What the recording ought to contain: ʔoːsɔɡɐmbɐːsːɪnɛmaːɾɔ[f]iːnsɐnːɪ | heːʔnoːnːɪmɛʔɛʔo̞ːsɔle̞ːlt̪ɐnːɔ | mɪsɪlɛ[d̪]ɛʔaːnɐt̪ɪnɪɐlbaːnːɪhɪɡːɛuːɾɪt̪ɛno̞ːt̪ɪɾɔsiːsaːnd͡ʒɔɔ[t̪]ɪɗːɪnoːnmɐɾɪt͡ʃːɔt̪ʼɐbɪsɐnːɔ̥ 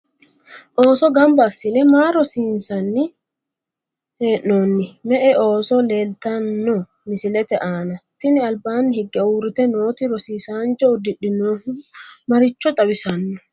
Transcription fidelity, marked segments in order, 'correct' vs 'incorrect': incorrect: s, incorrect: t̪, incorrect: d̪

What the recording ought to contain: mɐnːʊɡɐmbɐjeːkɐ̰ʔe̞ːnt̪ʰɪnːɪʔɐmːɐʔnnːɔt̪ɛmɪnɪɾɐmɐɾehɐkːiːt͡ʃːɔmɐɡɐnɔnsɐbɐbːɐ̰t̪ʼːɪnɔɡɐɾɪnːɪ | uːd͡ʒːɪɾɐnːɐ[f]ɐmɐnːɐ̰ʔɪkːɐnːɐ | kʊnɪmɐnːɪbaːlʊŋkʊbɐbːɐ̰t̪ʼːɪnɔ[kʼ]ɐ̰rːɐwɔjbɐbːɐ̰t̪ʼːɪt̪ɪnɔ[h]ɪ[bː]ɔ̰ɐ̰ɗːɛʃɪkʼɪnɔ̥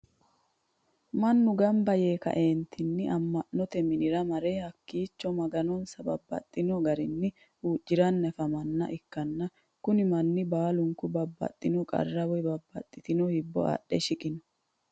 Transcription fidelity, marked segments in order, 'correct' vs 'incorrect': correct, correct, correct, correct

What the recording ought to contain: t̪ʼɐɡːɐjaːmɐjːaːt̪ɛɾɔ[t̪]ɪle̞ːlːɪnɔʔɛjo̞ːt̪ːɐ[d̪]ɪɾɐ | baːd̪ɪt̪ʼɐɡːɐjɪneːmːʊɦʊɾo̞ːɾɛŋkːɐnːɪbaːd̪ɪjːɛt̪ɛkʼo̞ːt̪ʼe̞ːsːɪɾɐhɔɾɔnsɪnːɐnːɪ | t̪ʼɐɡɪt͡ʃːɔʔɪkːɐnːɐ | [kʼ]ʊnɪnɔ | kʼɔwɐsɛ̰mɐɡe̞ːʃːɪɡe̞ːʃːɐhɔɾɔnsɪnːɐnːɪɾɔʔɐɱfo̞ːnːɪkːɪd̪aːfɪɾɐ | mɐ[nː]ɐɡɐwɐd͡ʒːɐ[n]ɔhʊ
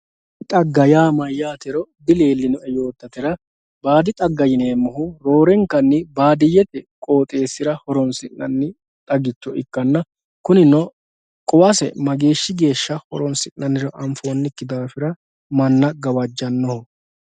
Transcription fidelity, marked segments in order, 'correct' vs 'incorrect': incorrect: d̪, incorrect: t̪, incorrect: k, correct, incorrect: nː

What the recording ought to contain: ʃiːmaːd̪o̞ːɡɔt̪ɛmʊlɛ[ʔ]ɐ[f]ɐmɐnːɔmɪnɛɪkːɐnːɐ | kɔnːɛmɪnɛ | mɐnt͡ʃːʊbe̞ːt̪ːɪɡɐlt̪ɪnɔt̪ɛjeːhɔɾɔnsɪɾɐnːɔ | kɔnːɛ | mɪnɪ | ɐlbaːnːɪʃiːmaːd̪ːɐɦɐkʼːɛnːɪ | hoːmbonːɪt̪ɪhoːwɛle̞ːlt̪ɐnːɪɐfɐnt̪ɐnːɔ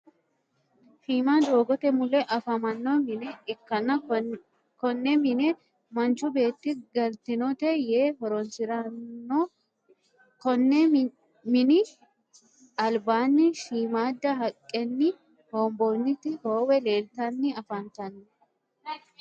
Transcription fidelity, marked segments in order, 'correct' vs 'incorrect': correct, correct

